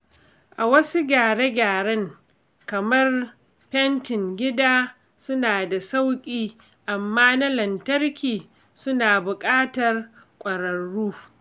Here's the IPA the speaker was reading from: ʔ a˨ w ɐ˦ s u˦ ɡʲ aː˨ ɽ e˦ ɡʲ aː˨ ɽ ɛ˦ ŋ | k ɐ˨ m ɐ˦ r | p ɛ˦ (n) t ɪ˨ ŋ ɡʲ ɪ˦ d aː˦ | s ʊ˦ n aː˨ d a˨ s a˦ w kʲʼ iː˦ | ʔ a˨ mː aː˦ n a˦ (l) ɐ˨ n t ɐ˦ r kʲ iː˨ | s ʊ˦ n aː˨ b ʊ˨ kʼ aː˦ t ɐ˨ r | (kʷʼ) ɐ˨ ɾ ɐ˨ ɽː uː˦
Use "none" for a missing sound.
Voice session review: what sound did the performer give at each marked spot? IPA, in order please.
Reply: n, l, kʷʼ

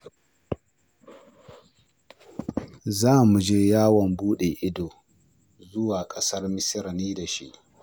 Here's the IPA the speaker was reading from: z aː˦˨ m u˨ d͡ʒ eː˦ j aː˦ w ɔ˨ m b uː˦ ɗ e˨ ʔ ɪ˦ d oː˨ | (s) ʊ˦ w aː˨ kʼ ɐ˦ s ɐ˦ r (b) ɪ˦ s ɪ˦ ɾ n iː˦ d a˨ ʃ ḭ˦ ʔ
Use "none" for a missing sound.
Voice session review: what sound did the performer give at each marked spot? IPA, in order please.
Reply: z, m

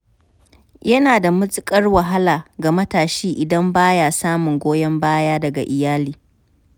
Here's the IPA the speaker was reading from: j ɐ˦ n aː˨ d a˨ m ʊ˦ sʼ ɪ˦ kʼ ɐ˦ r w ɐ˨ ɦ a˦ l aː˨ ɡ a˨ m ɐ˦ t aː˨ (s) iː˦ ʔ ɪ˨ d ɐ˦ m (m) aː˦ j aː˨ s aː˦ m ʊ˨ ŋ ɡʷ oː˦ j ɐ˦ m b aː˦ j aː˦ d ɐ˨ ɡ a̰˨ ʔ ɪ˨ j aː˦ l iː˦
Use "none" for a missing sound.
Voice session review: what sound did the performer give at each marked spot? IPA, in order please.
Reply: ʃ, b

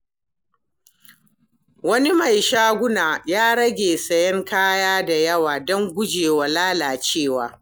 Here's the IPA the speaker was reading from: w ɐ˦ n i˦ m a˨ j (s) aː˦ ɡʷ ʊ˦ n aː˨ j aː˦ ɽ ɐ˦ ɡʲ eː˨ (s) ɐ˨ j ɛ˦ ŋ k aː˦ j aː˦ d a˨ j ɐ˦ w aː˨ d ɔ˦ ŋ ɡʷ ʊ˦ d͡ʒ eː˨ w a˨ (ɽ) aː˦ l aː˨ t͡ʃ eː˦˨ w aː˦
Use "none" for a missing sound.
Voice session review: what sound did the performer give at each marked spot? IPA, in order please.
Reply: ʃ, s, l

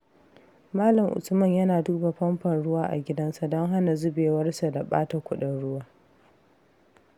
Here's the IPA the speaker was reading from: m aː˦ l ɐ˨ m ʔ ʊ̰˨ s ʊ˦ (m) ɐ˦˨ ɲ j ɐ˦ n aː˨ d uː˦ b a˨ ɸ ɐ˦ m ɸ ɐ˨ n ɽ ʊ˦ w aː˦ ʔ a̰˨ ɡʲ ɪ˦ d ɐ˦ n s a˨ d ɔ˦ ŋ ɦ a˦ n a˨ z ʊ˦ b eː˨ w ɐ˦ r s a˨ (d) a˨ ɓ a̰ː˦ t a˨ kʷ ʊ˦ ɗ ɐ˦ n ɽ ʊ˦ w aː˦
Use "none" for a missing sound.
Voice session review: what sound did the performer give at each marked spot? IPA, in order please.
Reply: m, d

